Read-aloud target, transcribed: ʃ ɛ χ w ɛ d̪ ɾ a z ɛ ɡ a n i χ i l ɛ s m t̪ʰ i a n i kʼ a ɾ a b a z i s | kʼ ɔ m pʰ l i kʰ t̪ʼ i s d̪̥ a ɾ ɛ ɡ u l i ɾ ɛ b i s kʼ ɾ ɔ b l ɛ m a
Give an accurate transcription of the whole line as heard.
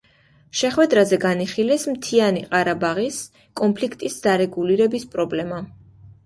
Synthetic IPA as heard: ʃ ɛ χ w ɛ d̪ ɾ a z ɛ ɡ a n i χ i l ɛ s m t̪ʰ i a n i qʼ a ɾ a b a ʁ i s | kʼ ɔ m pʰ l i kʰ t̪ʼ i s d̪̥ a ɾ ɛ ɡ u l i ɾ ɛ b i s pʼ ɾ ɔ b l ɛ m a